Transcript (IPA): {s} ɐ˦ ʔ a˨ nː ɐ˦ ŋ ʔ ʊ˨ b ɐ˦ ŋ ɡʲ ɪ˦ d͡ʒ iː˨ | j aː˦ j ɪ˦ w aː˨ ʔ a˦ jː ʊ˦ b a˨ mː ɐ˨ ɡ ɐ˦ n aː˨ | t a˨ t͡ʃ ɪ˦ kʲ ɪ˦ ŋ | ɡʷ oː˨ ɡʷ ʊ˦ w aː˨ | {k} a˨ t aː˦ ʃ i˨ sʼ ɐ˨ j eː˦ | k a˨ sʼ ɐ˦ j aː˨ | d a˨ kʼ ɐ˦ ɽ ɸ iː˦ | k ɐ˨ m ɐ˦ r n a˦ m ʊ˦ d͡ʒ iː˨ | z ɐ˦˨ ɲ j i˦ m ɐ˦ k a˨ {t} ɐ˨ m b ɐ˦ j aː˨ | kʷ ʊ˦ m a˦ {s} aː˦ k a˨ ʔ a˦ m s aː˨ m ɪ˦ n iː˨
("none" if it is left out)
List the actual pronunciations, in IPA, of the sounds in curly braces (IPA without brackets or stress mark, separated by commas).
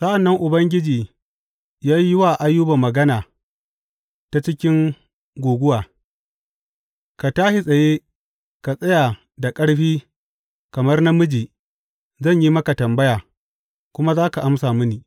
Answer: s, k, t, z